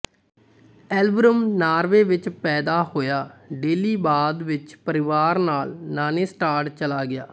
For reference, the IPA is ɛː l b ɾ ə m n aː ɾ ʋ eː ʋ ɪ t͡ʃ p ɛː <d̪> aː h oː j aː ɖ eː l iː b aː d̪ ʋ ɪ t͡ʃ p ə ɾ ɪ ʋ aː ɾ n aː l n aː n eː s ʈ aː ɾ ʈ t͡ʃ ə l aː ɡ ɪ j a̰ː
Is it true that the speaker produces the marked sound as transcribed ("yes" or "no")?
yes